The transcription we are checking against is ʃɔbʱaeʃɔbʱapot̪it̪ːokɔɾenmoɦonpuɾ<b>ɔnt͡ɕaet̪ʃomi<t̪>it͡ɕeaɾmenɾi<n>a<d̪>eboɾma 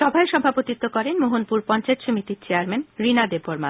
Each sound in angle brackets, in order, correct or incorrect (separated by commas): incorrect, correct, correct, correct